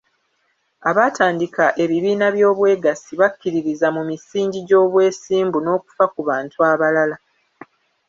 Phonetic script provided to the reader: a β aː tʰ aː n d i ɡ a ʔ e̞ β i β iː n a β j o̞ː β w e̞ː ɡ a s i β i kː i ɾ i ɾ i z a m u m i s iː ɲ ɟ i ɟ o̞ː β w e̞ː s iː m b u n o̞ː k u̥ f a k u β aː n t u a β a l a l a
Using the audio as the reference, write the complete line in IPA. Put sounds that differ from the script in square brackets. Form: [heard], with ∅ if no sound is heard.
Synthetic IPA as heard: a β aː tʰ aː n d i [k] a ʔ e̞ β i β iː n a β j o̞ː β w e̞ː ɡ a s i β [a] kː i ɾ i ɾ i z a m u m i s iː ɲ ɟ i ɟ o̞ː β w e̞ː s iː m b u n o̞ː k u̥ f a k u β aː n t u a β a l a l a